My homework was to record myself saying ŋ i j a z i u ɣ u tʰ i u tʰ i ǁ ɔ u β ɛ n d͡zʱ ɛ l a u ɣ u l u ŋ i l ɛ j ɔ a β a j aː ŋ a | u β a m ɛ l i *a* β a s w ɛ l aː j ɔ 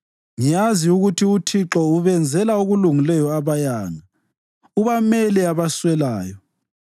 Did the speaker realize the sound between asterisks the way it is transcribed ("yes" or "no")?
yes